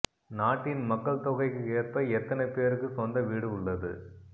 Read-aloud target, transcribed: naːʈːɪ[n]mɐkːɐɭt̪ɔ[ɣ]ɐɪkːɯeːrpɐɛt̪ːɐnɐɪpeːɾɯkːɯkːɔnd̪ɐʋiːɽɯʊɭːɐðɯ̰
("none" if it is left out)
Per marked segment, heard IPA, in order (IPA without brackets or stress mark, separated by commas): n, ɣ